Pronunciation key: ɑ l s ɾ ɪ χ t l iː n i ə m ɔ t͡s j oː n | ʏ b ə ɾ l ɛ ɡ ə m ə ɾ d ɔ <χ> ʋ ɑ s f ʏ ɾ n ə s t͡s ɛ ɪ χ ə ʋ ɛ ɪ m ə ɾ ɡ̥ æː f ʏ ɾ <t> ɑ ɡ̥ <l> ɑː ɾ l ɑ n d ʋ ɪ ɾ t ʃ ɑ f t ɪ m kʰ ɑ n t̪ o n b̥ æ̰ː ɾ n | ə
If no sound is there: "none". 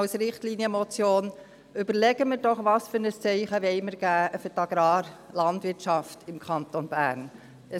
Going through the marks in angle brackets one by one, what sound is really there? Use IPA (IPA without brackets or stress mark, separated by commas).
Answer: χ, t, ɾ